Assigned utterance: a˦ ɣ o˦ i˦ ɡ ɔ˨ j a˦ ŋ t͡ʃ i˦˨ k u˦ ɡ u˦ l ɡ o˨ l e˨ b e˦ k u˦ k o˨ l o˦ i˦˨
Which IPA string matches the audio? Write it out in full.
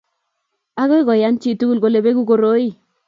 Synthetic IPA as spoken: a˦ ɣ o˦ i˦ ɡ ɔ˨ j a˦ n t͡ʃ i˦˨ t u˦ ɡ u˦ l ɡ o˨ l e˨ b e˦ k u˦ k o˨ ɾ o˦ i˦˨